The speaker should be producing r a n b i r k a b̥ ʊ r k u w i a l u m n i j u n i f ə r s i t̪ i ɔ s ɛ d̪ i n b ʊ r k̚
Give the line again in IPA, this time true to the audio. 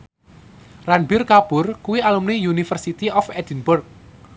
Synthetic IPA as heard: r a n b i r k a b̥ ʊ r k u w i a l u m n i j u n i f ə r s i t̪ i ɔ f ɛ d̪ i n b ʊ r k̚